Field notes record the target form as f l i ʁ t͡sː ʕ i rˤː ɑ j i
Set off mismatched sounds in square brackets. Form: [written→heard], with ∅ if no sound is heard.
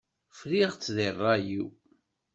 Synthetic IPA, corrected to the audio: f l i ʁ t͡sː [ʕ→ð] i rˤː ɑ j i